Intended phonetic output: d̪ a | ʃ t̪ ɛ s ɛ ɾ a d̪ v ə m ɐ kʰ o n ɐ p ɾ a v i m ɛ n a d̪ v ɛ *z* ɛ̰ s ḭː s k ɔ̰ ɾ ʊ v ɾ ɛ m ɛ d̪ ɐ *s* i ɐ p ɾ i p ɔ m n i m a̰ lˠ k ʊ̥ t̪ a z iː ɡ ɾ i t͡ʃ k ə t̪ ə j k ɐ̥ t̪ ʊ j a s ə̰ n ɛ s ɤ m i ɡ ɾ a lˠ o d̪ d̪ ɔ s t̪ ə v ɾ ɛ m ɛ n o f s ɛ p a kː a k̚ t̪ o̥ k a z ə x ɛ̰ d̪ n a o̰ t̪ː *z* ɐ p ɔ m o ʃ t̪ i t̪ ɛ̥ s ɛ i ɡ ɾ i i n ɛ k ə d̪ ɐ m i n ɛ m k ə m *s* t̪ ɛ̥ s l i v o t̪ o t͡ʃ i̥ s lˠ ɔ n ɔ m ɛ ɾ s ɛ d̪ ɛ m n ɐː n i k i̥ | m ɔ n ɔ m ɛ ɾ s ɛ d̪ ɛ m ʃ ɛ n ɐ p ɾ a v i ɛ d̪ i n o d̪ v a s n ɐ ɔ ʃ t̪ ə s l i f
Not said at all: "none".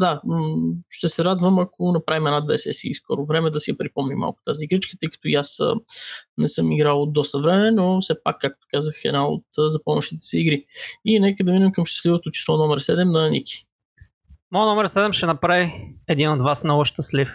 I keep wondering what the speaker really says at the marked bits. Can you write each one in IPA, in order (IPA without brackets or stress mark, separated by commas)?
s, s, z, ʃ